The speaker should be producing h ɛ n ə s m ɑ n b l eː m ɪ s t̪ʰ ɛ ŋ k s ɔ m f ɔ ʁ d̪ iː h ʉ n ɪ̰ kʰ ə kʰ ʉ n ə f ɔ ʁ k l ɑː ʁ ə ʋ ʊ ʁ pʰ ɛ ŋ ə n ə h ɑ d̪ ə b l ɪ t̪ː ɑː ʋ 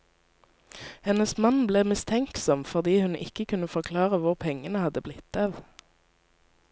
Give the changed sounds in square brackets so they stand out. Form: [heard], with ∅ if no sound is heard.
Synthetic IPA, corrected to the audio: h ɛ n ə s m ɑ n b l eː m ɪ s t̪ʰ ɛ ŋ k s ɔ m f ɔ ʁ d̪ iː h ʉ n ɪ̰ [k] ə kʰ ʉ n ə f ɔ ʁ [kʰ] l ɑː ʁ ə ʋ ʊ ʁ pʰ ɛ ŋ ə n ə h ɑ d̪ ə b l ɪ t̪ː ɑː ʋ